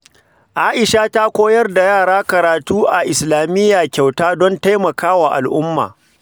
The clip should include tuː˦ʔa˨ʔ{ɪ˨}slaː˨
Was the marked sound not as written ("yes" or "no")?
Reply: no